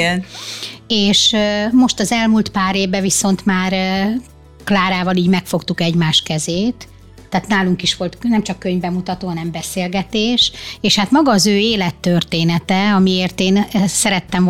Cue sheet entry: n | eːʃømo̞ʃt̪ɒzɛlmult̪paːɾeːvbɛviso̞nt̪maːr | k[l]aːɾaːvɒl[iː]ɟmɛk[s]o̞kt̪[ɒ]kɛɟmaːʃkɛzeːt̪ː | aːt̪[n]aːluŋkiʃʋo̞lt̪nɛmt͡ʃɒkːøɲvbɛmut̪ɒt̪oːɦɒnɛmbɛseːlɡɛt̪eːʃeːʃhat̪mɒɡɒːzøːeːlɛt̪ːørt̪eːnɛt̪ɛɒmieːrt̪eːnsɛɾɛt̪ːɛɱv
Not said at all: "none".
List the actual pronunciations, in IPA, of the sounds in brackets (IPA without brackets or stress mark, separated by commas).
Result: l, iː, f, u, n